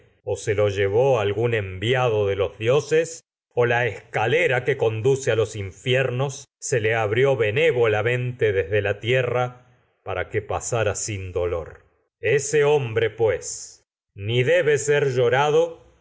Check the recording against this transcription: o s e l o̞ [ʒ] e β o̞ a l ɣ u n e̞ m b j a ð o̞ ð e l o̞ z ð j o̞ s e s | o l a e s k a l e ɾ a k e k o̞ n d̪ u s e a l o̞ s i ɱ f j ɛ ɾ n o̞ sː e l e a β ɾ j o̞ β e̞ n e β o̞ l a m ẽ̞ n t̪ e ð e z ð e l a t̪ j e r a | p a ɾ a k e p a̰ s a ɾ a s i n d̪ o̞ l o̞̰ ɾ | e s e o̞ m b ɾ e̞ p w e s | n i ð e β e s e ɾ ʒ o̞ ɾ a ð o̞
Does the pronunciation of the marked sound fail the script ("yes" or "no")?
no